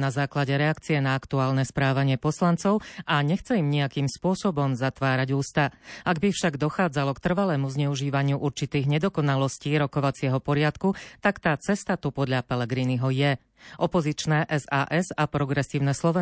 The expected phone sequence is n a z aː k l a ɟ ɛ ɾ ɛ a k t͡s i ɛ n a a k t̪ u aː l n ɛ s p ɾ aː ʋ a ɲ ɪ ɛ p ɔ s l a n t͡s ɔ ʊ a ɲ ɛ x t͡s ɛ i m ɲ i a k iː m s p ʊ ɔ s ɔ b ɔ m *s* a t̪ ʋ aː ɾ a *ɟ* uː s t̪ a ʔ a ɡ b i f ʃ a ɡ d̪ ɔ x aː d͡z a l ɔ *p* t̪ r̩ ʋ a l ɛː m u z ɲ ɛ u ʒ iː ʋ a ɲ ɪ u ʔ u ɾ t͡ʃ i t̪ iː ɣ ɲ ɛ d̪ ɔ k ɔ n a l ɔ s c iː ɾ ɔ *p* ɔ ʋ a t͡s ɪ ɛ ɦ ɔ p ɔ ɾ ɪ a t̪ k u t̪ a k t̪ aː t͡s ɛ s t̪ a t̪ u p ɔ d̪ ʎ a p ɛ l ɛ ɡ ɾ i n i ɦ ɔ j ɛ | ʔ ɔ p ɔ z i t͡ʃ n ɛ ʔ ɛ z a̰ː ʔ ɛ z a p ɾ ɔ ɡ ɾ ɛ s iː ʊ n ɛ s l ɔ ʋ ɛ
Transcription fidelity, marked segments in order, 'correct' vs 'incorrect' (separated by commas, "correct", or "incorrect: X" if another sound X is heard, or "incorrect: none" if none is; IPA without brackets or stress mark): incorrect: z, correct, incorrect: k, incorrect: k